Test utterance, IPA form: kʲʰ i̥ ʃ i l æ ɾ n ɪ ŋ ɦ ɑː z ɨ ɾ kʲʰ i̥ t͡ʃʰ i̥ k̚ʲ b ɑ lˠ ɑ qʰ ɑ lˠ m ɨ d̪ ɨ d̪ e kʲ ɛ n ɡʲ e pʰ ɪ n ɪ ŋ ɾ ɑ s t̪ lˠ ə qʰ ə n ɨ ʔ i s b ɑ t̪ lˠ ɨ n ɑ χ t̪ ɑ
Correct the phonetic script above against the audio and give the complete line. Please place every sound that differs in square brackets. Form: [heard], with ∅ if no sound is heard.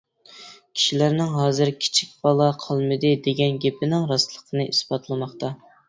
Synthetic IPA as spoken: kʲʰ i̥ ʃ i l æ ɾ n ɪ ŋ ɦ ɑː z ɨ ɾ kʲʰ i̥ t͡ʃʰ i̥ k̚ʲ b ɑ lˠ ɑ qʰ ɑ lˠ m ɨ d̪ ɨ d̪ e [ɡʲ] ɛ n ɡʲ e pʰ ɪ n ɪ ŋ ɾ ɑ s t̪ lˠ ə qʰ ə n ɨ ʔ i s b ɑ t̪ lˠ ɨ [m] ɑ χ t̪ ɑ